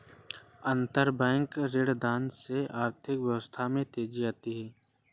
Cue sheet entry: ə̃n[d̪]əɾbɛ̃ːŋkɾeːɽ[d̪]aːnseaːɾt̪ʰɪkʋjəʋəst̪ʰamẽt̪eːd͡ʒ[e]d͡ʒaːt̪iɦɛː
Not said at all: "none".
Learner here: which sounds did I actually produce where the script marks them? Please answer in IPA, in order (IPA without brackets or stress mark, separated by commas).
t̪, d̪, i